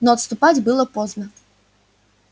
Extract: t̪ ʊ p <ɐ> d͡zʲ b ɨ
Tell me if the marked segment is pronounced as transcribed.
no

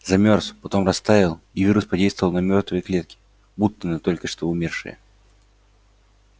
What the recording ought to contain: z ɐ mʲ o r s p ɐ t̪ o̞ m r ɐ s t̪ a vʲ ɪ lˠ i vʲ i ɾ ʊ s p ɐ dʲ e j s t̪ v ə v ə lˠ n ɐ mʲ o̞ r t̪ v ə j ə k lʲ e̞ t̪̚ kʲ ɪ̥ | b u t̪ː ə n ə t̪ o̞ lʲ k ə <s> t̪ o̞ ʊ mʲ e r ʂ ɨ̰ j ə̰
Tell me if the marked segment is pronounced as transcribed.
no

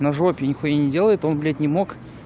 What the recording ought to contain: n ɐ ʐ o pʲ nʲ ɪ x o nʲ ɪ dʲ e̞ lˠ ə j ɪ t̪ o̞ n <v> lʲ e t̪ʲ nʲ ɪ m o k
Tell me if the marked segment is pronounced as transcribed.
no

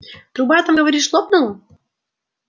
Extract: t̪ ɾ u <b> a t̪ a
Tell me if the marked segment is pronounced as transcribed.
yes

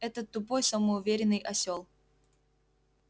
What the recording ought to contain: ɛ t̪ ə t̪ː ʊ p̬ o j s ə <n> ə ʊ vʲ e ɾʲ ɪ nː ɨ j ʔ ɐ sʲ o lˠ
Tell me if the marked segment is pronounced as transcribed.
no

